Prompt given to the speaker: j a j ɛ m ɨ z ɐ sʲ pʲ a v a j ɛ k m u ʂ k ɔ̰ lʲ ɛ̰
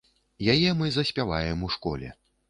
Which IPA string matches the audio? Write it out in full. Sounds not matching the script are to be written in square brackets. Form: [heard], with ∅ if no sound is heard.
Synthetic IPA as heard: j a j ɛ m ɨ z ɐ sʲ pʲ a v a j ɛ [∅] m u ʂ k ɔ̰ lʲ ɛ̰